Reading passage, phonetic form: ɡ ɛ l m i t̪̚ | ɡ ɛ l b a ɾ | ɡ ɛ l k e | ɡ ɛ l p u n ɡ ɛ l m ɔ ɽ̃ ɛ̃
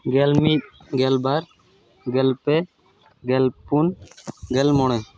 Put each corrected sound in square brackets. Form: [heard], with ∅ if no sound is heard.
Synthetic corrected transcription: ɡ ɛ l m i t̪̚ | ɡ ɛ l b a ɾ | ɡ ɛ l [p] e | ɡ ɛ l p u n ɡ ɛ l m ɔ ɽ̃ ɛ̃